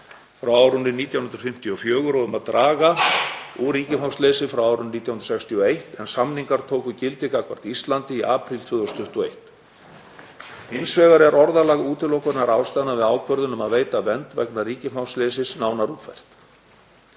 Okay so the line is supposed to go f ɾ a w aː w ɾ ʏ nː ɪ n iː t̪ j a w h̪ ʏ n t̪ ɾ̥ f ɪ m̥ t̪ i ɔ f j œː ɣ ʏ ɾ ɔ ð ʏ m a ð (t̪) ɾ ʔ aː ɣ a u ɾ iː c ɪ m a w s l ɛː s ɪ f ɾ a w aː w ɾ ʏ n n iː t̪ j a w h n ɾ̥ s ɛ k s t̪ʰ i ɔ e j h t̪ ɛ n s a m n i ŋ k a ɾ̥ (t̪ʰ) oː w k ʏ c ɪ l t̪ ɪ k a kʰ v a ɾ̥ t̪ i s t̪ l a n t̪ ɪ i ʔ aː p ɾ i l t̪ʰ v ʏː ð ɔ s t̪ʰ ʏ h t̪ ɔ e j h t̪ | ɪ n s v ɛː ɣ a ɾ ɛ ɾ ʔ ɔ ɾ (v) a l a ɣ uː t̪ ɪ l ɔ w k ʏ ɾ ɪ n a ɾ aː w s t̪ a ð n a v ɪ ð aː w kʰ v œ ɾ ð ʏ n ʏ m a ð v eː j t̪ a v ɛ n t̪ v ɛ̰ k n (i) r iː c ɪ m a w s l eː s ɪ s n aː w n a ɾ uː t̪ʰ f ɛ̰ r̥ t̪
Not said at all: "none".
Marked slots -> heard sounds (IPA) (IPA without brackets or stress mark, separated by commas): t̪, t̪ʰ, ð, a